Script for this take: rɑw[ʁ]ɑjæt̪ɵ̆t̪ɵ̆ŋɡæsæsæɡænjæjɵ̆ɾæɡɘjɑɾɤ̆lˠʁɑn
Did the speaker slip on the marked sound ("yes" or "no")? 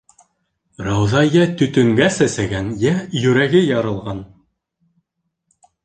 yes